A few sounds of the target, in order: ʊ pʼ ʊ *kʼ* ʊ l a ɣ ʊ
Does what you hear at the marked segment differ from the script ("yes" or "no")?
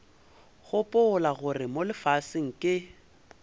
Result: yes